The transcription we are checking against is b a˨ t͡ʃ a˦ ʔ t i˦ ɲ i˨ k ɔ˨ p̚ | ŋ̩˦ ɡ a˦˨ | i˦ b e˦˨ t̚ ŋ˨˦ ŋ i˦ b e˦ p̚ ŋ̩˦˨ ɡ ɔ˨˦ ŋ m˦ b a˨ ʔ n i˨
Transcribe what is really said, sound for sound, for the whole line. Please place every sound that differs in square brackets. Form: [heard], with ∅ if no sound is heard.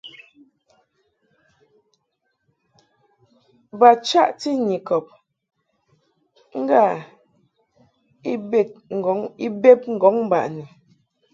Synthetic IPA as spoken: b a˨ t͡ʃ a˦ ʔ t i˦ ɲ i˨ k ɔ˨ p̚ | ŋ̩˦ ɡ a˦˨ | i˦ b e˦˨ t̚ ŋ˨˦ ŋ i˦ b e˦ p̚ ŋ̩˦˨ ɡ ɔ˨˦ ŋ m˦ b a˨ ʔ n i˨